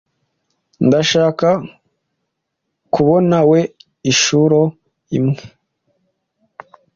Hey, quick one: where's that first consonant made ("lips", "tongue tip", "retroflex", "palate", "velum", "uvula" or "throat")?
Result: tongue tip